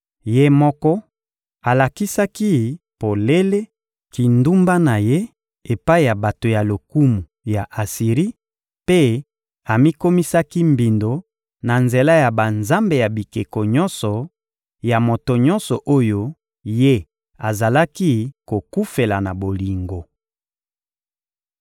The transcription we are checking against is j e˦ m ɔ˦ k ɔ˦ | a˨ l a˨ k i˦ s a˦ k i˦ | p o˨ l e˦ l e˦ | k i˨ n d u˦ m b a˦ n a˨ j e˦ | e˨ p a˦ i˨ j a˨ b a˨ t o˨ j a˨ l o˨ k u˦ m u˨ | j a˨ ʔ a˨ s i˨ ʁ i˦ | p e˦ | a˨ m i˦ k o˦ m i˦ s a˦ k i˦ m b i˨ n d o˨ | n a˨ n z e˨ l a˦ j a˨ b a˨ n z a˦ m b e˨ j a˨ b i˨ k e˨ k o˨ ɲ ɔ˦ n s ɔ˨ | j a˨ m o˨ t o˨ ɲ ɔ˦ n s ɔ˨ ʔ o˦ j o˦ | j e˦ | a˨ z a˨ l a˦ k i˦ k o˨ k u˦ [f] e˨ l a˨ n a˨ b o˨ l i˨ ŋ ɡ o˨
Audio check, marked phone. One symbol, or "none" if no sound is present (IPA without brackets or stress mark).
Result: f